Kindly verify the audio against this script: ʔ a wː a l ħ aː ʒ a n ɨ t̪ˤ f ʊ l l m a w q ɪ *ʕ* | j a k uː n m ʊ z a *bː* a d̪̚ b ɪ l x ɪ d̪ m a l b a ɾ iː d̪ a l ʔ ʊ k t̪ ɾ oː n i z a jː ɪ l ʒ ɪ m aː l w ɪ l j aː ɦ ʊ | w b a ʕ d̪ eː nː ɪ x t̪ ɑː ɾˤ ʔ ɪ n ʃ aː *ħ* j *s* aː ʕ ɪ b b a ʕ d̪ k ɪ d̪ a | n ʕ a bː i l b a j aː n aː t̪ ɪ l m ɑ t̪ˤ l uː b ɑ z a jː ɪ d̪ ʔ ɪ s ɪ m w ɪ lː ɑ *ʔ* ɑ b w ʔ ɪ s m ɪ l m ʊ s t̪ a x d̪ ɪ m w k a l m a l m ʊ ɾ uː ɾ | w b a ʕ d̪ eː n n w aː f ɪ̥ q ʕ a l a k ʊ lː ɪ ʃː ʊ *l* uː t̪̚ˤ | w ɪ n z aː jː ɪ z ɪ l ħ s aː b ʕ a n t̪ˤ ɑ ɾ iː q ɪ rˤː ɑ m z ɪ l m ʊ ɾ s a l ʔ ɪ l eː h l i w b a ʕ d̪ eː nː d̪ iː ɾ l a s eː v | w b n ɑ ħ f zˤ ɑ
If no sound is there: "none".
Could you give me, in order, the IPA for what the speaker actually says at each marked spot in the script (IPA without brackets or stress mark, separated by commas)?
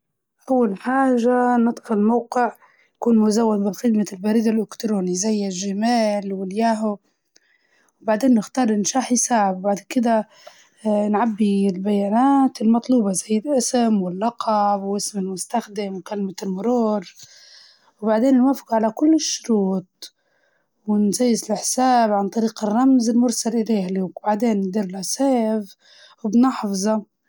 ʕ, wː, ħ, s, q, ɾ